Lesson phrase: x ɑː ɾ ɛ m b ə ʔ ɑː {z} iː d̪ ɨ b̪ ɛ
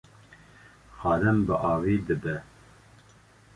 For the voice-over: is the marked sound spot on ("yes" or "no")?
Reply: no